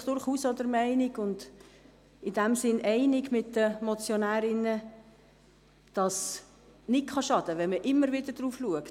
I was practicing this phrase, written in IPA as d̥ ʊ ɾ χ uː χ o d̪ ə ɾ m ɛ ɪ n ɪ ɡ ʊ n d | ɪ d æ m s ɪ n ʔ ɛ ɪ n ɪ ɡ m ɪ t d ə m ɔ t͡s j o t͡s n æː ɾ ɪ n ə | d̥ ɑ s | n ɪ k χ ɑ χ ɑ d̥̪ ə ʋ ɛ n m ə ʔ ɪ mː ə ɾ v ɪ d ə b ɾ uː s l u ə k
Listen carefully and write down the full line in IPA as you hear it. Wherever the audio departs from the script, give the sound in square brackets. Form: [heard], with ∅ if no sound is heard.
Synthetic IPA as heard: d̥ ʊ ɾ χ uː [s] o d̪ ə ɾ m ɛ ɪ n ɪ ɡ ʊ n d | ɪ d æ m s ɪ n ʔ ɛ ɪ n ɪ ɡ m ɪ t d ə m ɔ t͡s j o [∅] n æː ɾ ɪ n ə | d̥ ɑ s | n ɪ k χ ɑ [ʃ] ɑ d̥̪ ə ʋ ɛ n m ə ʔ ɪ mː ə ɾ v ɪ d ə [d] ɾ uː [f] l u ə k